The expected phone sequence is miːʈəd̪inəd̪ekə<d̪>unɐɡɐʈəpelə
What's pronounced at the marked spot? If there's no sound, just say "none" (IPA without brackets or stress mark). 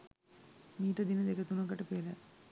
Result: t̪